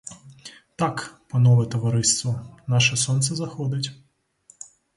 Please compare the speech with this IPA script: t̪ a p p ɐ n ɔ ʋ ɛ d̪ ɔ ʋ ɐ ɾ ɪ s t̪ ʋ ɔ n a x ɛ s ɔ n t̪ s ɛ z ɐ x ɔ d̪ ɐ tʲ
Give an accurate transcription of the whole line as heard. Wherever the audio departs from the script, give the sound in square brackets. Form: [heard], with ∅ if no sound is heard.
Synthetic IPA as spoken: t̪ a [k] p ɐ n ɔ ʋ ɛ [t̪] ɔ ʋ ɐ ɾ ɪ s t̪ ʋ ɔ n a [ʃ] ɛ s ɔ n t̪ s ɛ z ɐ x ɔ d̪ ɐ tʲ